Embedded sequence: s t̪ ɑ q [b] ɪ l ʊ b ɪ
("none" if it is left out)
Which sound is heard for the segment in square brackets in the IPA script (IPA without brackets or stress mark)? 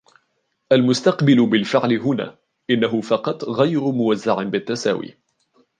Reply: b